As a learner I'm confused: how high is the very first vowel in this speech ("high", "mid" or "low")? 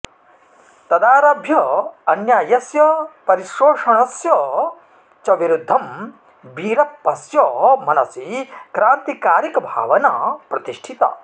low